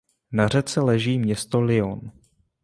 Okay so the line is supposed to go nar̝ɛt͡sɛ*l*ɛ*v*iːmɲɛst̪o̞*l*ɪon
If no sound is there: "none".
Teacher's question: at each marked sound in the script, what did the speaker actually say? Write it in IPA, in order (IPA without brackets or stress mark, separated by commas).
l, ʒ, l